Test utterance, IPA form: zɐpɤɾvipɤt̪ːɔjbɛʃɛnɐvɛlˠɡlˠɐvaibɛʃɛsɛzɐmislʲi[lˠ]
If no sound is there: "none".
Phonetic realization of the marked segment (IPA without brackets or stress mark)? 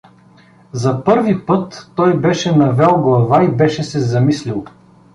lˠ